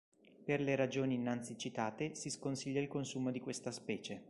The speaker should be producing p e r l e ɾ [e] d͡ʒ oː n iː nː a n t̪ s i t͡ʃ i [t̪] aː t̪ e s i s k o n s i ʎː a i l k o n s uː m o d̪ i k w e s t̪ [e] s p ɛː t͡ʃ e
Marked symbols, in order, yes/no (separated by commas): no, yes, no